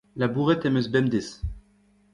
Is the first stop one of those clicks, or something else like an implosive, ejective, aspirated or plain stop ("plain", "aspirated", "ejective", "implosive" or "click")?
plain